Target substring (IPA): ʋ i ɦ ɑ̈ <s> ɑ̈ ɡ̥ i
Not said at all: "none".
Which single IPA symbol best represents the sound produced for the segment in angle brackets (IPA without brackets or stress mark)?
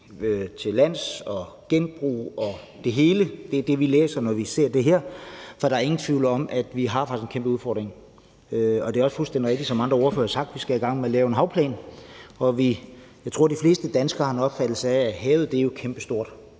f